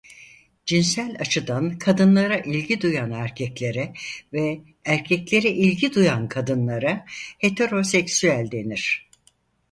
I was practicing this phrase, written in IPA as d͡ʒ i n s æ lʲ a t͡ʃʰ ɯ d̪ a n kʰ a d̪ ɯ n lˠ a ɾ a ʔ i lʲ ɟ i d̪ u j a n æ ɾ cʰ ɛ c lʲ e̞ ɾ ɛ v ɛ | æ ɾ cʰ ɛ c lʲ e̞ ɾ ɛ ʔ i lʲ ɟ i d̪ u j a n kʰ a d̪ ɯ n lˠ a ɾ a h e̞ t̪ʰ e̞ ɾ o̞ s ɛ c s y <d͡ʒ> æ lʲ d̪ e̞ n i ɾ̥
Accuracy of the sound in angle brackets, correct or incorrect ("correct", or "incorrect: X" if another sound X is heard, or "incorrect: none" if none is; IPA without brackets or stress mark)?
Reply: incorrect: none